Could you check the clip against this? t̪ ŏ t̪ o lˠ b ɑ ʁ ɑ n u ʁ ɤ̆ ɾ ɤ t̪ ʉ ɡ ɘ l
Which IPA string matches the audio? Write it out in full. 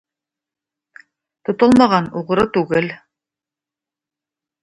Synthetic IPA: t̪ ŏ t̪ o lˠ m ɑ ʁ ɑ n u ʁ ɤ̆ ɾ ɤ t̪ ʉ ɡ ɘ l